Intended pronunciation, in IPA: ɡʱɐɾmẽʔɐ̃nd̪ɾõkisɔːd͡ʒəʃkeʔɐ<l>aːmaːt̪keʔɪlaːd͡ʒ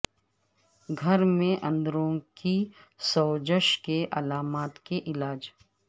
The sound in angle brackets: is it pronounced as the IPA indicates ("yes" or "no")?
yes